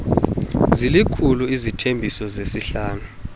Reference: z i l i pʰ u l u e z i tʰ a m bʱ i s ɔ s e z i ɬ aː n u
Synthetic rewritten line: z i l i kʰ u l u i z i tʰ e m bʱ i s ɔ z e s i ɬ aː n u